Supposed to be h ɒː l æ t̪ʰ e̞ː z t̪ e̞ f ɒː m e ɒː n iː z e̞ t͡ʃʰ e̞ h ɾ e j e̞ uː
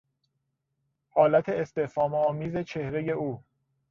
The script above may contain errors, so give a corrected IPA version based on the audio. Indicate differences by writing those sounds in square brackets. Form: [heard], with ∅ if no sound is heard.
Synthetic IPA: h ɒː l æ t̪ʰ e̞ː [s] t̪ e̞ f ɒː m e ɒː [m] iː z e̞ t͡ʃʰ e̞ h ɾ e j e̞ uː